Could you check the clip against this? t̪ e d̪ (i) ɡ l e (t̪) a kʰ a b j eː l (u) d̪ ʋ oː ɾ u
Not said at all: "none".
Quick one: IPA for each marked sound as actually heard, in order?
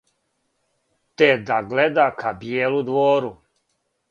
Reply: a, d̪, u

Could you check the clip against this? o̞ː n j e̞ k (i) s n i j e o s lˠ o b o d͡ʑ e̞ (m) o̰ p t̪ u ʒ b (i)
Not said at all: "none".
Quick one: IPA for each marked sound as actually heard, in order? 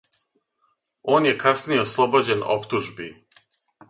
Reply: a, n, i

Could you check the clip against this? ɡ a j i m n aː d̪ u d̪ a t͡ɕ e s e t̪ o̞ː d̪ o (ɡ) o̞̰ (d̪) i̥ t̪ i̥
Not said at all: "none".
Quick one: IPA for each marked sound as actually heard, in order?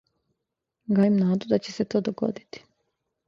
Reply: ɡ, d̪

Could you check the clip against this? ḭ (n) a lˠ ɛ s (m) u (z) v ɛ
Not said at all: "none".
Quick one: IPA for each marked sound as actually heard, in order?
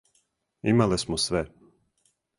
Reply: m, m, s

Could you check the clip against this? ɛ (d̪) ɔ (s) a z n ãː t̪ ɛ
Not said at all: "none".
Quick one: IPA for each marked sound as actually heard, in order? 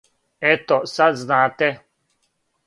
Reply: t̪, s

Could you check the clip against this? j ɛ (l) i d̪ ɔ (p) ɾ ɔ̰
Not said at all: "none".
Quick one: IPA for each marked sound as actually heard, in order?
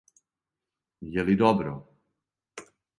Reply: l, b

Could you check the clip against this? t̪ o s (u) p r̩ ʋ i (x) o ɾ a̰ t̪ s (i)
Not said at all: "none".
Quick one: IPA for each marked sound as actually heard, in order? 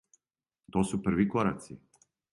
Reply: u, k, i

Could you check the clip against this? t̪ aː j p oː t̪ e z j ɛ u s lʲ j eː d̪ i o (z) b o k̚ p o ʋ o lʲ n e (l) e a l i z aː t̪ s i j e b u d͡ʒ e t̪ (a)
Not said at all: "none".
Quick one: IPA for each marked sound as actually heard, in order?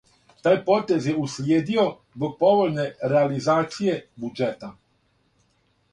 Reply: z, ɾ, a

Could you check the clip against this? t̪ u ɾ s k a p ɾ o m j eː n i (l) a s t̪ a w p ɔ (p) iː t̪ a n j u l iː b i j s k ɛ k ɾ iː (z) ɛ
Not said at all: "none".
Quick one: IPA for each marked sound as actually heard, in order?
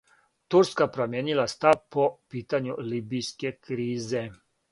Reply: l, p, z

